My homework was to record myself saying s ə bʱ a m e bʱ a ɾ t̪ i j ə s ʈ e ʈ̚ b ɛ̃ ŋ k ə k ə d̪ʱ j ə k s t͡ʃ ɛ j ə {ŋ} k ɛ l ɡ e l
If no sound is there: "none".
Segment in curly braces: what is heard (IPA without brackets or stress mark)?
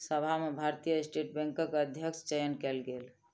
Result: n